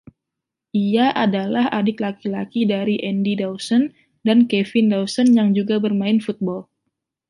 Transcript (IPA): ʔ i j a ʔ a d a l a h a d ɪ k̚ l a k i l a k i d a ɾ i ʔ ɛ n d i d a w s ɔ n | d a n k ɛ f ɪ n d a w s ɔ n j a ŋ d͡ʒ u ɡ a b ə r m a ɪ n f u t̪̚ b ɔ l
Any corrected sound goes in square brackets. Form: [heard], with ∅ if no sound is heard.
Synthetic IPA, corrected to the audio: ʔ i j a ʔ a d a l a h a d ɪ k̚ l a k i l a k i d a ɾ i ʔ ɛ n d i d a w s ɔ n | d a n k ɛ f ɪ n d a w s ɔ n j a ŋ d͡ʒ u ɡ a b ə r m a ɪ n f u t̪̚ b ɔ l